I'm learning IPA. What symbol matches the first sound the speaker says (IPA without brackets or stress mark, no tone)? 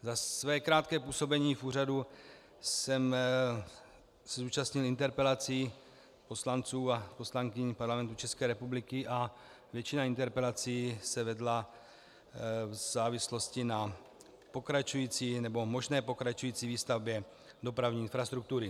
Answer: z